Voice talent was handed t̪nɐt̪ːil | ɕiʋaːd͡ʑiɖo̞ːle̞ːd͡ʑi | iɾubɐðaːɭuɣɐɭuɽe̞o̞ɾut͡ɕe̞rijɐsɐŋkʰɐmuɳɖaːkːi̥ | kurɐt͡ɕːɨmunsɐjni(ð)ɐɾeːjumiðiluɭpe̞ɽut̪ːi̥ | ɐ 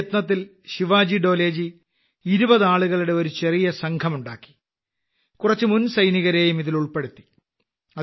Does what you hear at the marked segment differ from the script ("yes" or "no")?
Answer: yes